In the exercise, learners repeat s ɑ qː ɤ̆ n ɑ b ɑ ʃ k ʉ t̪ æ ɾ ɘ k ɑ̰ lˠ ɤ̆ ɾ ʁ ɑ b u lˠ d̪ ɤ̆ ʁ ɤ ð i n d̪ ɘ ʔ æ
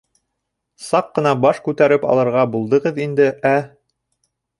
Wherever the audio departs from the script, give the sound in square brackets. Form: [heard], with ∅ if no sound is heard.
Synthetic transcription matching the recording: s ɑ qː ɤ̆ n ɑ b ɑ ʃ k ʉ t̪ æ ɾ ɘ [p] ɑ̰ lˠ ɤ̆ ɾ ʁ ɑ b u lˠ d̪ ɤ̆ ʁ ɤ ð i n d̪ ɘ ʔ æ